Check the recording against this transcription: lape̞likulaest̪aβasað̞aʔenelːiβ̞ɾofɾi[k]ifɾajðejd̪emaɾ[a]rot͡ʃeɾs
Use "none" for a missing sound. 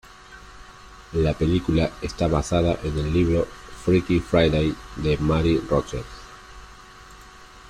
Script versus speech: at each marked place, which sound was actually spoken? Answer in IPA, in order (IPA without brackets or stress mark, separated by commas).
k, i